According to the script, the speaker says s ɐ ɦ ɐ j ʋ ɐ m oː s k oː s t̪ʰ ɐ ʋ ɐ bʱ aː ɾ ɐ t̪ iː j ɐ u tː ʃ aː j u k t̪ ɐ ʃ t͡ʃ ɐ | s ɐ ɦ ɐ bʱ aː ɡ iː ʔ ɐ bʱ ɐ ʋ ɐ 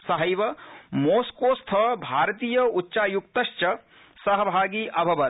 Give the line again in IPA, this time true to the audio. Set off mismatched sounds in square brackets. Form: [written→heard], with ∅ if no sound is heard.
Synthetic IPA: s ɐ ɦ ɐ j ʋ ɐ m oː s k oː s t̪ʰ ɐ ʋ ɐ bʱ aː ɾ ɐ t̪ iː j ɐ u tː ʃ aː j u k t̪ ɐ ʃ t͡ʃ ɐ | s ɐ ɦ ɐ bʱ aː ɡ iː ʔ ɐ bʱ ɐ ʋ ɐ

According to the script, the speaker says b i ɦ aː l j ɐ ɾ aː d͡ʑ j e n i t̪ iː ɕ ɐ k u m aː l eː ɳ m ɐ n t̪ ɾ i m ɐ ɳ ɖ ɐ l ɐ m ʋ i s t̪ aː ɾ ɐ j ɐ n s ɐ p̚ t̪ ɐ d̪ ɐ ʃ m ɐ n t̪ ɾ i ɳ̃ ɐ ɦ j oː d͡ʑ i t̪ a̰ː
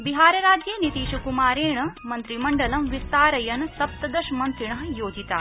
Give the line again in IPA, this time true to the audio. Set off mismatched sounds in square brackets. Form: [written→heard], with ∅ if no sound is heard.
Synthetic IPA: b i ɦ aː [l→ɾ] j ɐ ɾ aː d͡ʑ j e n i t̪ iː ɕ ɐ k u m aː [l→ɾ] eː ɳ m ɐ n t̪ ɾ i m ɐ ɳ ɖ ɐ l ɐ m ʋ i s t̪ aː ɾ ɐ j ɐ n s ɐ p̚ t̪ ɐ d̪ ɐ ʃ m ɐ n t̪ ɾ i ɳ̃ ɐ ɦ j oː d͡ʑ i t̪ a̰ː

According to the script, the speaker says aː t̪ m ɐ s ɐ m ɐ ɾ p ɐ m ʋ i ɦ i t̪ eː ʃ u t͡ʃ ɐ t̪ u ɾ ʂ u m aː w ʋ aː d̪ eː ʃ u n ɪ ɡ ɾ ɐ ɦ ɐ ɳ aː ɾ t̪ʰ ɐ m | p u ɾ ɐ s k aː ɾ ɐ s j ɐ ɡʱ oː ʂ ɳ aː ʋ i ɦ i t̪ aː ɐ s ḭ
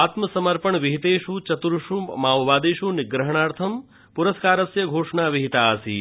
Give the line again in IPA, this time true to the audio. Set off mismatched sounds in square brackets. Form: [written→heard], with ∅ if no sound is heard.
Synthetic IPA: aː t̪ m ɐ s ɐ m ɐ ɾ p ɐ [m→ɳ] ʋ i ɦ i t̪ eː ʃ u t͡ʃ ɐ t̪ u ɾ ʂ u m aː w ʋ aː d̪ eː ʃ u n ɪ ɡ ɾ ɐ ɦ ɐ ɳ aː ɾ t̪ʰ ɐ m | p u ɾ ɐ s k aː ɾ ɐ s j ɐ ɡʱ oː ʂ ɳ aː ʋ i ɦ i t̪ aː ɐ s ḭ

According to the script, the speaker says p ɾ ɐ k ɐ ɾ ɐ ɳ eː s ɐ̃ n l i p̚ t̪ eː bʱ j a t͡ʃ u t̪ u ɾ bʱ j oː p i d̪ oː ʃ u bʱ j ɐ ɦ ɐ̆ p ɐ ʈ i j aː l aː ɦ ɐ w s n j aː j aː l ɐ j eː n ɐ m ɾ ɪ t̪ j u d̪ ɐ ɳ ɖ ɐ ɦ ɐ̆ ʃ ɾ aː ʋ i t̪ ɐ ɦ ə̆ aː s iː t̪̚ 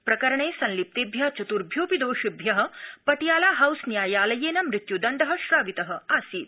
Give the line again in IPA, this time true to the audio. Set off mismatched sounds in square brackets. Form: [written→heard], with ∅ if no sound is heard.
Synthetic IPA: p ɾ ɐ k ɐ ɾ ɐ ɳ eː s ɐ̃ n l i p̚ t̪ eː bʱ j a t͡ʃ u t̪ u ɾ bʱ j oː p i d̪ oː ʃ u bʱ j ɐ ɦ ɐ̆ p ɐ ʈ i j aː l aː ɦ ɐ w s n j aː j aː l ɐ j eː n ɐ m ɾ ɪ t̪ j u d̪ ɐ ɳ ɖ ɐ ɦ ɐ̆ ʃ ɾ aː ʋ i t̪ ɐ ɦ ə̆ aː s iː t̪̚

